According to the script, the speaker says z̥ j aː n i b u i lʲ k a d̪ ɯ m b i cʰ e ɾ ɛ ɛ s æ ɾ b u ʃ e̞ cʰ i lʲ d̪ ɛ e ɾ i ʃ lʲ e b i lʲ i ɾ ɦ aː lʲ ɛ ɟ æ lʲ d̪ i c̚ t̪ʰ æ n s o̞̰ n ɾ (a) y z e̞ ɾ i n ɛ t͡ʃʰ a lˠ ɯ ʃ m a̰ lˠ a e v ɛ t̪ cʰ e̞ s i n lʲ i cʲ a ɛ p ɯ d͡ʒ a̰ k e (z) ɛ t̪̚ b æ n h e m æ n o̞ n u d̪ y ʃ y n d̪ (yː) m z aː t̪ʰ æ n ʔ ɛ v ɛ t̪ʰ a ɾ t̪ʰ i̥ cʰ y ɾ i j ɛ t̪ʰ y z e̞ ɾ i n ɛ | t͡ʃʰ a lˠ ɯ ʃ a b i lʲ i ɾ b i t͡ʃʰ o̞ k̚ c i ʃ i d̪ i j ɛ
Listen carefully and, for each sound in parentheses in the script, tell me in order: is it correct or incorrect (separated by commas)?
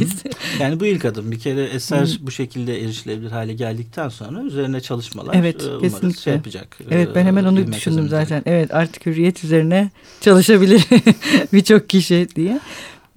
correct, incorrect, incorrect